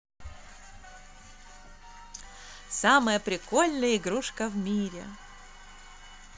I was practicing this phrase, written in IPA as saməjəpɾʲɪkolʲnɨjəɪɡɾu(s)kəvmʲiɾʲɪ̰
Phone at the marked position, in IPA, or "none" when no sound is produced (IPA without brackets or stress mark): ʂ